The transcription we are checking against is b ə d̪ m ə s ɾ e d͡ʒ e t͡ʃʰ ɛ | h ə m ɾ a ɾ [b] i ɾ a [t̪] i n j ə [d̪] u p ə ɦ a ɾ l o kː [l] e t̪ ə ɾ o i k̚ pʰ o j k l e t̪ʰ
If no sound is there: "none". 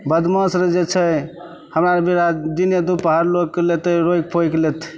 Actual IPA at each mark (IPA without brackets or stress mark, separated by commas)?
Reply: b, d̪, d̪, l